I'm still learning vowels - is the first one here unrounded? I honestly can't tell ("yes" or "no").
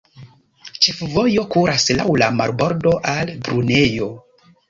yes